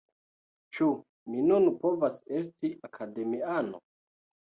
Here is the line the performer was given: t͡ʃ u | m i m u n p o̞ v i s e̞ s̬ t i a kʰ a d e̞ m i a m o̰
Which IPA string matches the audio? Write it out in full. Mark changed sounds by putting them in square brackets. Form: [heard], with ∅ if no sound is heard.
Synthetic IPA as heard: t͡ʃ u | m i [n] u n p o̞ v [a] s e̞ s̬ t i a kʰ a d e̞ m i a [n] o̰